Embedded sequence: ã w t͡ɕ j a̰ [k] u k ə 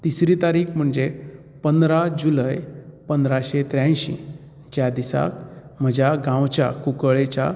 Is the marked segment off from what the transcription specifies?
no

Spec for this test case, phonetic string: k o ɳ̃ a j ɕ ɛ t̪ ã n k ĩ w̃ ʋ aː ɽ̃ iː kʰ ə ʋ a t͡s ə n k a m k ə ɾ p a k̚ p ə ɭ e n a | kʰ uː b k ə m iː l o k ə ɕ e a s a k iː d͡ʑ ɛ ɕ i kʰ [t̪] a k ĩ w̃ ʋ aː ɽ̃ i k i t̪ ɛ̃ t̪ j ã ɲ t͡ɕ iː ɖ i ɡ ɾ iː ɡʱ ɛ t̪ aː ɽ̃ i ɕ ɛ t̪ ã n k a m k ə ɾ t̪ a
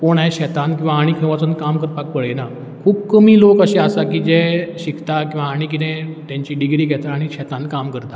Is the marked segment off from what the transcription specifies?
no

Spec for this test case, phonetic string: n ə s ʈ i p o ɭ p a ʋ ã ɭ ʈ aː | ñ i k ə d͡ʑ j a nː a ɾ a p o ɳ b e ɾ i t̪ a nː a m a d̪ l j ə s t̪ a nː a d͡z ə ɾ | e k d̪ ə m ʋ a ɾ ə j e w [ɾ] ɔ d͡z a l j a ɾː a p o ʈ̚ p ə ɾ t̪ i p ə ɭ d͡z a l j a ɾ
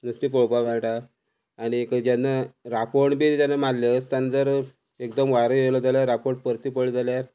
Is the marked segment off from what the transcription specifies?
yes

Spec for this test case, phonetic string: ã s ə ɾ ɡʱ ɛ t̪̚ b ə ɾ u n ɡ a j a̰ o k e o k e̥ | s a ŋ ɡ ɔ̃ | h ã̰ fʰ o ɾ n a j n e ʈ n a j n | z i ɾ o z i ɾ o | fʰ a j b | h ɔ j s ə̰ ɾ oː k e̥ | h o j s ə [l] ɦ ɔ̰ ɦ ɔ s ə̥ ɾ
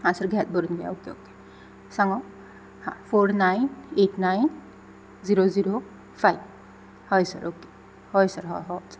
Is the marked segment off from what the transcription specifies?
yes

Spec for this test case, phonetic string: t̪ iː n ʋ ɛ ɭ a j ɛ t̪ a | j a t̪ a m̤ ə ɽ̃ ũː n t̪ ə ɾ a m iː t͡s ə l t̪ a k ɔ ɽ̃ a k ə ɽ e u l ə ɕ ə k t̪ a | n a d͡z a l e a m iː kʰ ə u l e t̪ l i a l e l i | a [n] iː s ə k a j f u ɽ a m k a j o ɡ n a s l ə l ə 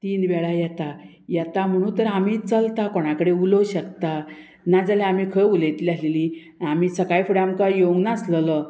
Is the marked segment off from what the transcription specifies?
yes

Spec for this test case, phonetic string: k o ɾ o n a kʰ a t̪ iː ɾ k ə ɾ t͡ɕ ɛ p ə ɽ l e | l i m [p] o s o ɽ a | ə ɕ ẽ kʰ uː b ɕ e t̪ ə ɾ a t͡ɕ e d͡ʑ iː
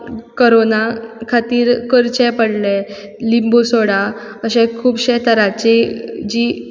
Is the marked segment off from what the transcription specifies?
yes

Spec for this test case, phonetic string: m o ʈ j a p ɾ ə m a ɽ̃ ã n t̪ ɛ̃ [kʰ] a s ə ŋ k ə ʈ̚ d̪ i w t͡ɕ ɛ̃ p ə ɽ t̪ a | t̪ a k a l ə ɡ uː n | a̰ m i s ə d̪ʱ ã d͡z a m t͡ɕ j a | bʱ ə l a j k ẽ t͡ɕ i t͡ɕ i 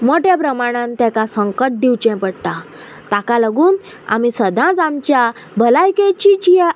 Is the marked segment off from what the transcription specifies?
yes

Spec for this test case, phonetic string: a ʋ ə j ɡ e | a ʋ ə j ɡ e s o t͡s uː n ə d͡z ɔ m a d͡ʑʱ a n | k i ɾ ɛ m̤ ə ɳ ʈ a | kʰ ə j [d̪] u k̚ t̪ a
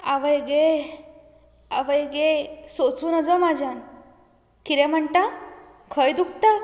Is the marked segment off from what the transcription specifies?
no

